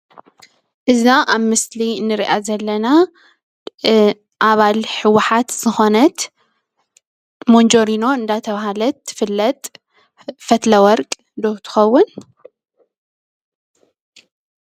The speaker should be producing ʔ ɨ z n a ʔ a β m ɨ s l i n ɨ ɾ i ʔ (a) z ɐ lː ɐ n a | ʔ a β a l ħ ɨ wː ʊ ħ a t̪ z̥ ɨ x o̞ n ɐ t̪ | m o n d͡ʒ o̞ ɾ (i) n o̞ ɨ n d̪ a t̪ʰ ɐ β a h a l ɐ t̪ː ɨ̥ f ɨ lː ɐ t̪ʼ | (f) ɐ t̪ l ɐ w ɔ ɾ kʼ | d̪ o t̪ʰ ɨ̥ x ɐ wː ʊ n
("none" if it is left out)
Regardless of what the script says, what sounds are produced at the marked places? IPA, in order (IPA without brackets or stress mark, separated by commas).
a, i, f